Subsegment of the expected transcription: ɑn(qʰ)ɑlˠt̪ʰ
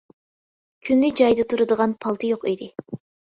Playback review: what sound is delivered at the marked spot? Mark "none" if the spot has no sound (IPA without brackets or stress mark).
pʰ